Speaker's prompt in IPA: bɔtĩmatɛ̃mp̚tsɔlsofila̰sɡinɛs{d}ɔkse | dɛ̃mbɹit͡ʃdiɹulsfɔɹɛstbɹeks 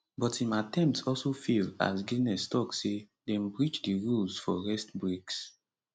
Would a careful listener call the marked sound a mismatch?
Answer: yes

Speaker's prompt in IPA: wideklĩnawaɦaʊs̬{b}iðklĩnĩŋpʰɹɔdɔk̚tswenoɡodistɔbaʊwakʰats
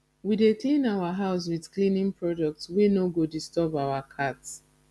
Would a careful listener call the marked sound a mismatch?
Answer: yes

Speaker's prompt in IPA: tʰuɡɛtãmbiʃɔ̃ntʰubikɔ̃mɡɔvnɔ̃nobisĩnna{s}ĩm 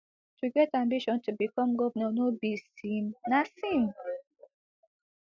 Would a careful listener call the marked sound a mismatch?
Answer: no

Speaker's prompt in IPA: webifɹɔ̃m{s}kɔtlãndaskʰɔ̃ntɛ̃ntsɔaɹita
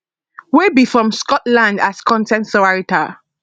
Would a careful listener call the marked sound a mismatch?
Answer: no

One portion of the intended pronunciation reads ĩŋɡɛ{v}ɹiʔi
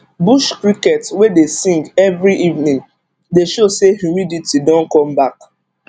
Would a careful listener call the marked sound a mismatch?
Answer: no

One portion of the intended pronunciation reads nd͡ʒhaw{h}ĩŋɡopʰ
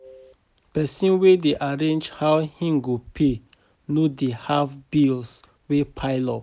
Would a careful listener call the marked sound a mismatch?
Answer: no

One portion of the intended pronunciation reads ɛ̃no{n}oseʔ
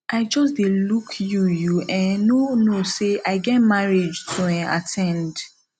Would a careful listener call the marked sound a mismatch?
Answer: no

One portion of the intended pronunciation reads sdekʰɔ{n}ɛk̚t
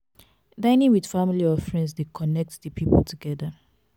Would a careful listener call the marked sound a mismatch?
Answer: no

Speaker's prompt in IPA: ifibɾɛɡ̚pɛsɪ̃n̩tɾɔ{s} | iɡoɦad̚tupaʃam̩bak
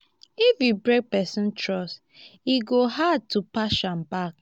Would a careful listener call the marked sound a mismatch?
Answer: no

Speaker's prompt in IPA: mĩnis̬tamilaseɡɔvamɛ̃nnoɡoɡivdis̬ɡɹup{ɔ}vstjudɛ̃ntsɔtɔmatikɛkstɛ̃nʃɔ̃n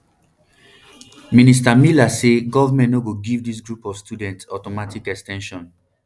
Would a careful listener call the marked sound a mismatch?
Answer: no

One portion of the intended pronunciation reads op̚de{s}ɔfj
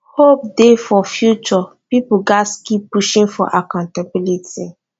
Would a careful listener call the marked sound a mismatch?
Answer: yes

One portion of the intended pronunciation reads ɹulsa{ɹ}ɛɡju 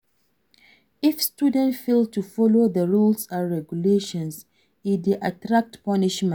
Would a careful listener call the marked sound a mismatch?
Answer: no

